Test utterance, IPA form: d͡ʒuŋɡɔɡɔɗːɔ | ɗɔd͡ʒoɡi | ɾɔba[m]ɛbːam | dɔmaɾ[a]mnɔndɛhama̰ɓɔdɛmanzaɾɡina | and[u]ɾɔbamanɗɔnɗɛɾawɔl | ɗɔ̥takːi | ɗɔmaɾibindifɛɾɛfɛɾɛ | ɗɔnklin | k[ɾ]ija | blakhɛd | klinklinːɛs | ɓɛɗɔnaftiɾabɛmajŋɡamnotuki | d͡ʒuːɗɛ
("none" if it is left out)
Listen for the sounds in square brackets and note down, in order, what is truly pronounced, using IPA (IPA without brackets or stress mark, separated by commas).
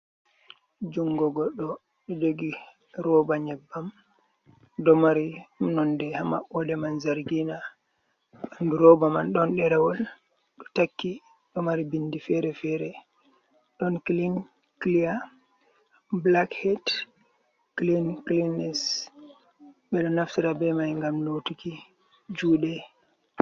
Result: ɲ, i, u, l